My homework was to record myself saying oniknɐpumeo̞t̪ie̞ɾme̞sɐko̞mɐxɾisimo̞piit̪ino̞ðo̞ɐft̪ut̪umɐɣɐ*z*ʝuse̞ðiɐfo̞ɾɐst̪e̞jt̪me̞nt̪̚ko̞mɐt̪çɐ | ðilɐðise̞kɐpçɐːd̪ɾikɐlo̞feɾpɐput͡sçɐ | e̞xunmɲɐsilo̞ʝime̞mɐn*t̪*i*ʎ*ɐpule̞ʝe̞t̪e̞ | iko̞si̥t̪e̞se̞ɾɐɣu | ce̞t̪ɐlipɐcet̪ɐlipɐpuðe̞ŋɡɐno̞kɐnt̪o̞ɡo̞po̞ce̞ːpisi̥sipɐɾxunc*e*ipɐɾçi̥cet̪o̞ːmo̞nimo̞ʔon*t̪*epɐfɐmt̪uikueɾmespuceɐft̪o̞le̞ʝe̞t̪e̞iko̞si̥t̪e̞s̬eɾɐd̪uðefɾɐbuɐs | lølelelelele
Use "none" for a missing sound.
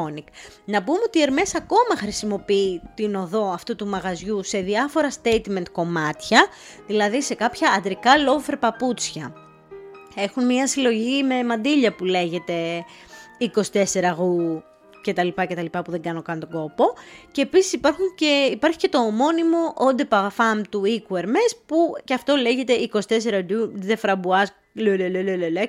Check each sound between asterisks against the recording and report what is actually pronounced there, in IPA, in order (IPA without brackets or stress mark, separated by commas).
z, d̪, ʎ, e, d̪